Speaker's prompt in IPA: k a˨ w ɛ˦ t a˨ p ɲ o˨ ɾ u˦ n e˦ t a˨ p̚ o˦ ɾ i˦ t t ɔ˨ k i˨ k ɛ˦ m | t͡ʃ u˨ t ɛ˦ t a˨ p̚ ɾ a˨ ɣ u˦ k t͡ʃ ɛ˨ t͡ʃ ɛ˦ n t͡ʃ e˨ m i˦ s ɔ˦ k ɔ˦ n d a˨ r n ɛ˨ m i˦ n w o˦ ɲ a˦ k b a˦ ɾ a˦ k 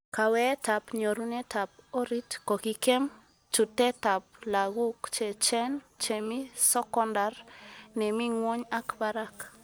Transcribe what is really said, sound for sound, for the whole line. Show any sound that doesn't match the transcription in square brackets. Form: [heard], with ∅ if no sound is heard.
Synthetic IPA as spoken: k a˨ w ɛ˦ t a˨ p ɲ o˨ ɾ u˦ n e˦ t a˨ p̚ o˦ ɾ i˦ t [k] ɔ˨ k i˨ k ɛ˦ m | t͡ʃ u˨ t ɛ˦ t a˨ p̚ [l] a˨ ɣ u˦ k t͡ʃ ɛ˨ t͡ʃ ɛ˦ n t͡ʃ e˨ m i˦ s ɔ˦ k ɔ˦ n d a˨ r n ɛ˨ m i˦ [ŋ] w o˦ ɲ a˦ k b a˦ ɾ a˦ k